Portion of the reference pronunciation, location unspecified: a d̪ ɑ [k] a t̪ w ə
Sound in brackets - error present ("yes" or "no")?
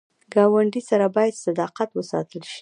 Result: yes